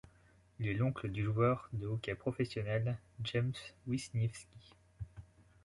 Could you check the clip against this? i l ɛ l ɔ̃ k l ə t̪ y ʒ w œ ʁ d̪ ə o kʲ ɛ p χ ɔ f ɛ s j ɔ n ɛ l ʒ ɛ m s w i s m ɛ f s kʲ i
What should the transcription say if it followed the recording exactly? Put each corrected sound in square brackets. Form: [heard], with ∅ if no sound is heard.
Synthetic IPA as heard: i l ɛ l ɔ̃ k l ə [d̪] y ʒ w œ ʁ d̪ ə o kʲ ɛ p χ ɔ f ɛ s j ɔ n ɛ l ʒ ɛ m s w i s [n] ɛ f s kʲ i